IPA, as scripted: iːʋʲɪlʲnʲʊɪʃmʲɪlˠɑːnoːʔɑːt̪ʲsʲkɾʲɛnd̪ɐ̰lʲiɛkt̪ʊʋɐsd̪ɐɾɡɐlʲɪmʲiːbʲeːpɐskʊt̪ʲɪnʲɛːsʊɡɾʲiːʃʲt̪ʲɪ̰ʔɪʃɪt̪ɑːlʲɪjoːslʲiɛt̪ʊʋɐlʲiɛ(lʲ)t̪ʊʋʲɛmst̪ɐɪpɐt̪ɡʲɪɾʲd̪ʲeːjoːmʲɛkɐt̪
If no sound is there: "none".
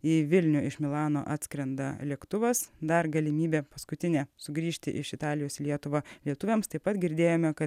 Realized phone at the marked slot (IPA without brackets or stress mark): none